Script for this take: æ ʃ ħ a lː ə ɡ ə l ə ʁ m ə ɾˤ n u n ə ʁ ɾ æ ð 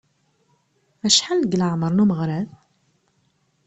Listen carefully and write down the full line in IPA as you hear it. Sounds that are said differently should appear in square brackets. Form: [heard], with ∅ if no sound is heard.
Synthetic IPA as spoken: æ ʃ ħ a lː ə ɡ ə l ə [ʕ] m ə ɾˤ n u [m] ə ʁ ɾ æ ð